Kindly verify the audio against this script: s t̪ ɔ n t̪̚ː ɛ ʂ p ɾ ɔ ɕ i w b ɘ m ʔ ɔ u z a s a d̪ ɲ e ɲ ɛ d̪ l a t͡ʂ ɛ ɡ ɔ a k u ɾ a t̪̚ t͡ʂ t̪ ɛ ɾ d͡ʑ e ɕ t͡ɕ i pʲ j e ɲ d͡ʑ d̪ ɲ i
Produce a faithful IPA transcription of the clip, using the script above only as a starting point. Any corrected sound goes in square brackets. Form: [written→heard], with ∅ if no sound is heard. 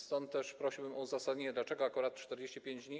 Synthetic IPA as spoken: s t̪ ɔ n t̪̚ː ɛ ʂ p ɾ ɔ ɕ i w b ɘ m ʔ ɔ u z a s a d̪ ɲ e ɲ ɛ d̪ l a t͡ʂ ɛ ɡ ɔ a k u ɾ a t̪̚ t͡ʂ t̪ ɛ ɾ d͡ʑ e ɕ t͡ɕ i pʲ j e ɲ d͡ʑ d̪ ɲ i